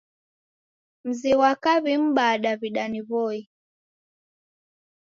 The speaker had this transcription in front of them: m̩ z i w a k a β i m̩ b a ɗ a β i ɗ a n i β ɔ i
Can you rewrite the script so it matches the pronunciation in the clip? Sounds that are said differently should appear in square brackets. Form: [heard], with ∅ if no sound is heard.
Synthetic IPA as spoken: m̩ z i w a k a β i m̩ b a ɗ a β i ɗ a n i β ɔ i